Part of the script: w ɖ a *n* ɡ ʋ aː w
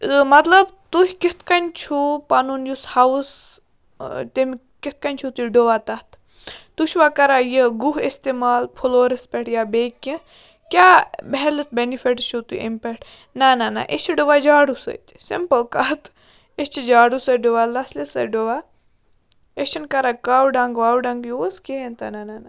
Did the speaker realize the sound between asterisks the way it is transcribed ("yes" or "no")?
no